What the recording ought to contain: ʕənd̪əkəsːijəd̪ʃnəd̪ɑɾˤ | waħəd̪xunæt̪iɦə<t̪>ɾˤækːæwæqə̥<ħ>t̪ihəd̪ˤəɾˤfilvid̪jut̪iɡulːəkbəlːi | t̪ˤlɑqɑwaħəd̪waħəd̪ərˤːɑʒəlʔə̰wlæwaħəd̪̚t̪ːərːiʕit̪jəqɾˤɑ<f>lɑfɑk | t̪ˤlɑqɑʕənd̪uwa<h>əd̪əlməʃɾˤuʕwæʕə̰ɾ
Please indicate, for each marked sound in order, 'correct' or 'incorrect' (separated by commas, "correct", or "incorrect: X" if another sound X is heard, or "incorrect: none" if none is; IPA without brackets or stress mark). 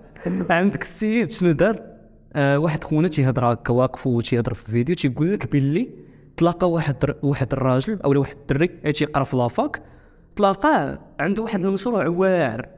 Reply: incorrect: d̪, incorrect: f, correct, incorrect: ħ